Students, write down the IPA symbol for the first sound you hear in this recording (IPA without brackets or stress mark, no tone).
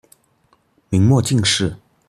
m